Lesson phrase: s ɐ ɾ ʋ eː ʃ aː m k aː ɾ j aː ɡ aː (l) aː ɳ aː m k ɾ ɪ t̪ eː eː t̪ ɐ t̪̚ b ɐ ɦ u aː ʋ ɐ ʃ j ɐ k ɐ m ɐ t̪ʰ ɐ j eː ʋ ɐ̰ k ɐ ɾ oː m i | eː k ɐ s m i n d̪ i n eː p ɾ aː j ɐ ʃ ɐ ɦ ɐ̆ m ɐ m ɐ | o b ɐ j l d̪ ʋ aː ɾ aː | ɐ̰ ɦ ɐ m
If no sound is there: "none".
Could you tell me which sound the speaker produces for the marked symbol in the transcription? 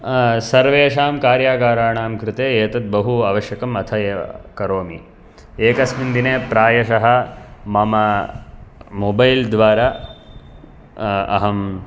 ɾ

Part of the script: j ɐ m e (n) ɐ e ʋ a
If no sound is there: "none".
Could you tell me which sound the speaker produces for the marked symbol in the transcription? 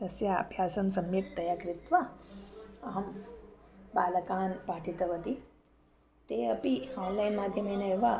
n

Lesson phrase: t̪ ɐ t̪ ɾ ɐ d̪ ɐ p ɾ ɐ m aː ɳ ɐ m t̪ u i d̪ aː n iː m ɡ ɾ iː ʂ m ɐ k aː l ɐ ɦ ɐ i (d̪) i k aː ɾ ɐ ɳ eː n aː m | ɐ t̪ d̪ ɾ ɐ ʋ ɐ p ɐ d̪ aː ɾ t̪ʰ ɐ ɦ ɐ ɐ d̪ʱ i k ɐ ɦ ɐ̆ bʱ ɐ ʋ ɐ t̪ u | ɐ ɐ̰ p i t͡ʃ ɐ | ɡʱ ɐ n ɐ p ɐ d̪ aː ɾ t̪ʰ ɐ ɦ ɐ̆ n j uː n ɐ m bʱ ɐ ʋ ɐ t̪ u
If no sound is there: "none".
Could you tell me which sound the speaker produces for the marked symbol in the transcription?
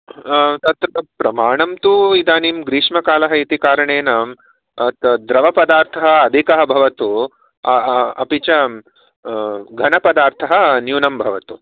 t̪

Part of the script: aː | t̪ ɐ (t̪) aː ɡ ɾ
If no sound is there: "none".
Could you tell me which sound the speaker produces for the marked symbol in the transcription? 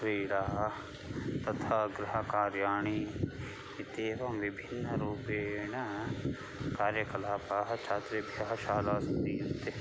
t̪ʰ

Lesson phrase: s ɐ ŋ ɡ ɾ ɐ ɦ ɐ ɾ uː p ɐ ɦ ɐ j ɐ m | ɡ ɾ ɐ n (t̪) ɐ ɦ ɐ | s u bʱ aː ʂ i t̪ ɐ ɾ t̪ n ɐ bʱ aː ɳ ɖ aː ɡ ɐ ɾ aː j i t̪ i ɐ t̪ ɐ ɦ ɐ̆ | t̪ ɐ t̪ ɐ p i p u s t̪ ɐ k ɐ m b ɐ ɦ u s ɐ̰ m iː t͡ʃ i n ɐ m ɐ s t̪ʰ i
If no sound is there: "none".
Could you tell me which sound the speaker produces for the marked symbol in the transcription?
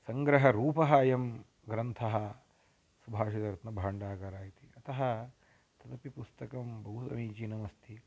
t̪ʰ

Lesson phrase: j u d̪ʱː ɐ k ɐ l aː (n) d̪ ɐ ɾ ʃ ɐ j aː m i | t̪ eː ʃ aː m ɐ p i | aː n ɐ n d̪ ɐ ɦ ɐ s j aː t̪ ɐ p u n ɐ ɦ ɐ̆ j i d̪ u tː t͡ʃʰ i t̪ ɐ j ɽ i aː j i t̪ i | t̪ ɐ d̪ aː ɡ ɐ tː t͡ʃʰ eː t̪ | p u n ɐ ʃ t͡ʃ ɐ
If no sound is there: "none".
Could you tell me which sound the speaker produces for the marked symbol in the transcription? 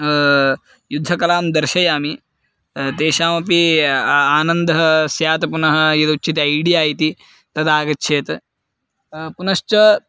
m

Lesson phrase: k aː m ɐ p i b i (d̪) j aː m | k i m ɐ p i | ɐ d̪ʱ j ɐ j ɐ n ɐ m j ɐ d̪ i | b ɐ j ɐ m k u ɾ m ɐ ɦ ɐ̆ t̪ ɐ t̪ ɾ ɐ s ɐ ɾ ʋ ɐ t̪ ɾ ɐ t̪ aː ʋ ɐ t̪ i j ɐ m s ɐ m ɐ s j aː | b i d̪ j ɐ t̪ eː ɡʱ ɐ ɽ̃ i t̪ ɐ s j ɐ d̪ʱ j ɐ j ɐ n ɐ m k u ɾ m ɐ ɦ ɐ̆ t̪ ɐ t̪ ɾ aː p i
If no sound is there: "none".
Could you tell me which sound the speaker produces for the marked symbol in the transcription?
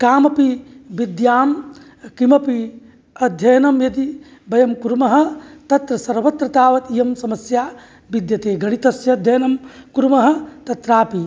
d̪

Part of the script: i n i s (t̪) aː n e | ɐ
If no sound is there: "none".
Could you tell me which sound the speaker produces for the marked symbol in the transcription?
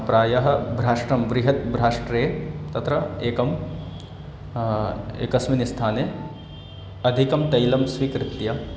t̪ʰ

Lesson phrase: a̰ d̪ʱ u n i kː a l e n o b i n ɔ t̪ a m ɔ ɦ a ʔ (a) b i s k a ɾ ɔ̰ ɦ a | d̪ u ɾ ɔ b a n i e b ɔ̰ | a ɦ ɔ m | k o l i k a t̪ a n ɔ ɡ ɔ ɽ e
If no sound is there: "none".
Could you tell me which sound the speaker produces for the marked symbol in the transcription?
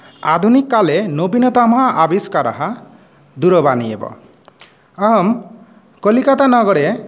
a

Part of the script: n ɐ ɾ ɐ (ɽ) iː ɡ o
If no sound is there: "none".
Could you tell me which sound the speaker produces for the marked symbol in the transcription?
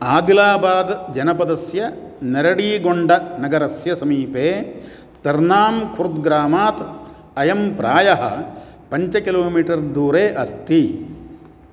ɽ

